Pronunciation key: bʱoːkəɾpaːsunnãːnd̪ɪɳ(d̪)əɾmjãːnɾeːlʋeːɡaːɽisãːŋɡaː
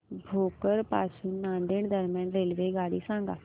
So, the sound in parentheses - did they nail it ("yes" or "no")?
yes